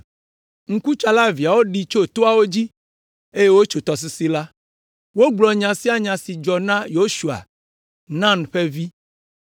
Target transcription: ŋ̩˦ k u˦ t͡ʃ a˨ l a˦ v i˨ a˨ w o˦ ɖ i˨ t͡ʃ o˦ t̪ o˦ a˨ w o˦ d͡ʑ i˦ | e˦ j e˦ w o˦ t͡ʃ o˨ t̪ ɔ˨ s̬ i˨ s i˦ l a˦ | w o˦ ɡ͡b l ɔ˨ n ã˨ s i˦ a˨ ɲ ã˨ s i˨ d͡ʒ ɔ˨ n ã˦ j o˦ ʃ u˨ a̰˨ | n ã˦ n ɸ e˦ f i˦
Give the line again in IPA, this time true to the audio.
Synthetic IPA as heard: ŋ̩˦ k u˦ t͡ʃ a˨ l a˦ v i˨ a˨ w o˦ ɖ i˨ t͡ʃ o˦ t̪ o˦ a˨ w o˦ d͡ʑ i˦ | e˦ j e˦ w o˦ t͡ʃ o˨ t̪ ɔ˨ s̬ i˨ s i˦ l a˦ | w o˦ ɡ͡b l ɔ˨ ɲ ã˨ s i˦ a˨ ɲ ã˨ s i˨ d͡ʒ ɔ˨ n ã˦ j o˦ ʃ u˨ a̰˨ | n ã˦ n ɸ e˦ v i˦